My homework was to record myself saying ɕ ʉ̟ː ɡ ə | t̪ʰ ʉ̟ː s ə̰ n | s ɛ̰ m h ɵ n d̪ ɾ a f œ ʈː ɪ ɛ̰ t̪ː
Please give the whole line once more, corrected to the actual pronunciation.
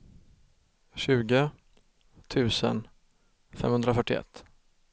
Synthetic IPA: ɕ ʉ̟ː ɡ ə | t̪ʰ ʉ̟ː s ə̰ n | f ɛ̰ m h ɵ n d̪ ɾ a f œ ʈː ɪ ɛ̰ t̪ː